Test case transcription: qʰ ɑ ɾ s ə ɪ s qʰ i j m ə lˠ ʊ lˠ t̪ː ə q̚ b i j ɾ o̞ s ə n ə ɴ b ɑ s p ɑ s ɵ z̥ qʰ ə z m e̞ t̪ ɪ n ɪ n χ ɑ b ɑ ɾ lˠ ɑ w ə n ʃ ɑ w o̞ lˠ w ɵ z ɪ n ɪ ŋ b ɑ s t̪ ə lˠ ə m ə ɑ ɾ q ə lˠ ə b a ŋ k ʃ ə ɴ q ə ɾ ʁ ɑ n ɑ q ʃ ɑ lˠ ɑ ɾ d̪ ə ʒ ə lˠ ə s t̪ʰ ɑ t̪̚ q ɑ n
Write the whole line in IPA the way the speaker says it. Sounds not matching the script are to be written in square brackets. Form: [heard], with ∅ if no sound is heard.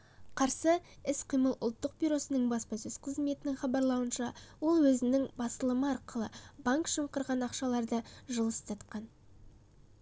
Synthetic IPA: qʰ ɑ ɾ s ə ɪ s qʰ i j m ə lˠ ʊ lˠ t̪ː ə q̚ b i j ɾ o̞ s ə n ə ɴ b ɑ s p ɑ s ɵ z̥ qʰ ə z m e̞ t̪ ɪ n ɪ [ŋ] χ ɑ b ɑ ɾ lˠ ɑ w ə n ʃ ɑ w o̞ lˠ w ɵ z ɪ n ɪ ŋ b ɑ s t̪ ə lˠ ə m ə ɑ ɾ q ə lˠ ə b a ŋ k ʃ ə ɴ q ə ɾ ʁ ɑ n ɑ q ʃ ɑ lˠ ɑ ɾ d̪ ə ʒ ə lˠ ə s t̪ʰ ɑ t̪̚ q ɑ n

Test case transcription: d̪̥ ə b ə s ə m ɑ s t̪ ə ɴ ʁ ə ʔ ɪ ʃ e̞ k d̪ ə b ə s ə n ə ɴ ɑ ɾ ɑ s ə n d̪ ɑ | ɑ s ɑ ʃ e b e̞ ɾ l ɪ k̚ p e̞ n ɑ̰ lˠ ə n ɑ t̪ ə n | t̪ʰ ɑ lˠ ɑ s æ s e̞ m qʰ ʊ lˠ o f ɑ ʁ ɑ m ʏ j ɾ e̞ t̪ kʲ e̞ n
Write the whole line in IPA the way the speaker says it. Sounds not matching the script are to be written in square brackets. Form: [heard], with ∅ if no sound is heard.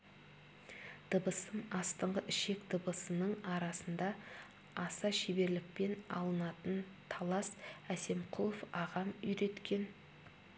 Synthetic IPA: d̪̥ ə b ə s ə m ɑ s t̪ ə ɴ ʁ ə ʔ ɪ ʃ e̞ k d̪ ə b ə s ə n ə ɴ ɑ ɾ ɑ s ə n d̪ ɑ | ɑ s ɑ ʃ e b e̞ ɾ l ɪ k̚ p e̞ n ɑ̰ lˠ ə n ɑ t̪ ə n | t̪ʰ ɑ lˠ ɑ s æ s e̞ m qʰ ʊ lˠ o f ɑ ʁ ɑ m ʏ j ɾ e̞ t̪ kʲ e̞ n

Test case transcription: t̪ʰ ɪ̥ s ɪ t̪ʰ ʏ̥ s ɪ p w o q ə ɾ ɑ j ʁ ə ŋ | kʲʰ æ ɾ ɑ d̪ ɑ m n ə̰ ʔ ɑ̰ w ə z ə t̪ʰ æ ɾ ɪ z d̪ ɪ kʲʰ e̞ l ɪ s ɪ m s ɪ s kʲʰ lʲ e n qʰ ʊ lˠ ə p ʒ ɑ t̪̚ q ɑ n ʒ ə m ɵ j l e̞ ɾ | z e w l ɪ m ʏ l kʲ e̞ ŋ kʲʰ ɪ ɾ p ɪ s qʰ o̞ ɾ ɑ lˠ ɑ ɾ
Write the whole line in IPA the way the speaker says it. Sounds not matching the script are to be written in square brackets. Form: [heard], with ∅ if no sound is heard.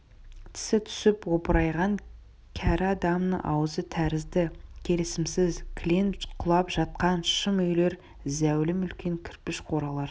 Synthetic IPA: t̪ʰ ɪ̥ s ɪ t̪ʰ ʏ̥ s ɪ p w o [p] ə ɾ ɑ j ʁ [ɑ] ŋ | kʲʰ æ ɾ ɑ d̪ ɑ m n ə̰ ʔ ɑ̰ w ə z ə t̪ʰ æ ɾ ɪ z d̪ ɪ kʲʰ e̞ l ɪ s ɪ m s ɪ [z] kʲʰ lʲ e n qʰ ʊ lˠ [ɑ] p ʒ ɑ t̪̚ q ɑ n [ʃ] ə m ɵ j l e̞ ɾ | z [æ] w l ɪ m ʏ l kʲ e̞ ŋ kʲʰ ɪ ɾ p ɪ [ʃ] qʰ o̞ ɾ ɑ lˠ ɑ ɾ

